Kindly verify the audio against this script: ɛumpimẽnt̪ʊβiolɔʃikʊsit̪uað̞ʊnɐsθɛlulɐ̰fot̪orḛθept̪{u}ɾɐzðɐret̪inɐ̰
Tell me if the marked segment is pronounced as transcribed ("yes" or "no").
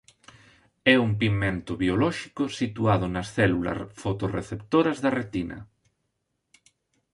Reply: no